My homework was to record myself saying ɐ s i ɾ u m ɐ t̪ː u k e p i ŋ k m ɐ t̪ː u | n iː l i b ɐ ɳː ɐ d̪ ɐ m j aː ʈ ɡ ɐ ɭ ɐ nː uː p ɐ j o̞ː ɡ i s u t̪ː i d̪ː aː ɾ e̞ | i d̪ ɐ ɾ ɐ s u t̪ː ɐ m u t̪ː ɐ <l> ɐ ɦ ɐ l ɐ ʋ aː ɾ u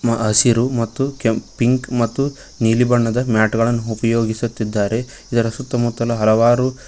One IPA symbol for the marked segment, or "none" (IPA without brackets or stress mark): l